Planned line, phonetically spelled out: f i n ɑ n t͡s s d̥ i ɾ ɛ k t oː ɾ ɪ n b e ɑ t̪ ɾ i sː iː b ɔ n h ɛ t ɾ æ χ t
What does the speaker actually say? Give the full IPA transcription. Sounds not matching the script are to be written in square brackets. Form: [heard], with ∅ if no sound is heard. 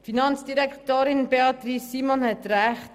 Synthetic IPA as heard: f i n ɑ n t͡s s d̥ i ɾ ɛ k t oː ɾ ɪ n b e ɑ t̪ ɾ i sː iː [m] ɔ n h ɛ t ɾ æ χ t